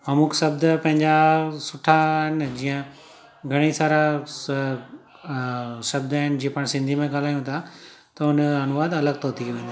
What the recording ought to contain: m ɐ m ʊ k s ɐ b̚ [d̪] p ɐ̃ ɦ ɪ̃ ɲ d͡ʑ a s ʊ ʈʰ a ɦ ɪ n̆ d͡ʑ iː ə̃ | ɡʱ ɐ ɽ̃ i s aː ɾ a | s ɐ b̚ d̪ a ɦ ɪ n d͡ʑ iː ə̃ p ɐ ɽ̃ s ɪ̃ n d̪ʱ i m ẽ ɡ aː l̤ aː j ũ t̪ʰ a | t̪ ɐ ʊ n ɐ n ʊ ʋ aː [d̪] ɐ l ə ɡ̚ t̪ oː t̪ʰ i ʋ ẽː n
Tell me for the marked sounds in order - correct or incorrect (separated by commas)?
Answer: correct, correct